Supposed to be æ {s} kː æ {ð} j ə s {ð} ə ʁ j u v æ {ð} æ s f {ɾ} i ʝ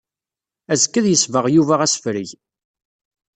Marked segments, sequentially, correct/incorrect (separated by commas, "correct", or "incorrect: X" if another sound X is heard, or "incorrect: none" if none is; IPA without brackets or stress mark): incorrect: z, correct, incorrect: v, incorrect: ʁ, correct